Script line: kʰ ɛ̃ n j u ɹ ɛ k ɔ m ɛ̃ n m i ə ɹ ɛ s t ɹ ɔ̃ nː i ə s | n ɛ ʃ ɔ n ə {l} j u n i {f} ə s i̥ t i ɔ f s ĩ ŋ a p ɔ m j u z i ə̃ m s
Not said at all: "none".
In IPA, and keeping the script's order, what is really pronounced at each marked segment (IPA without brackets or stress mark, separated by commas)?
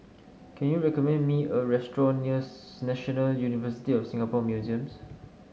l, v